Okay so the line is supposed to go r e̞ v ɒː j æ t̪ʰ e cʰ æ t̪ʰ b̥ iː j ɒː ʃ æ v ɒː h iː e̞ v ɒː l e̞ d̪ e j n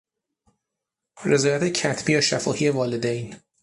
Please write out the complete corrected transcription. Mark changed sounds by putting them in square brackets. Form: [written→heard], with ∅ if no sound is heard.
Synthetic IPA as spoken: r e̞ [v→z] ɒː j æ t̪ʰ e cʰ æ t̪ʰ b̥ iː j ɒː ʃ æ [v→f] ɒː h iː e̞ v ɒː l e̞ d̪ e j n